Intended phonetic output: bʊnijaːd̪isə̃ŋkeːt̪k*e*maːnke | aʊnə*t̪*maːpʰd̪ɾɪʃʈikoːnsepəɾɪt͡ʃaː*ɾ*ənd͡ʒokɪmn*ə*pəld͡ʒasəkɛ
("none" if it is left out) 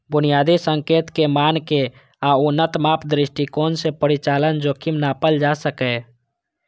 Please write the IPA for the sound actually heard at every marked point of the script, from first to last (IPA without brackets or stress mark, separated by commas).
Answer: e, t̪, l, a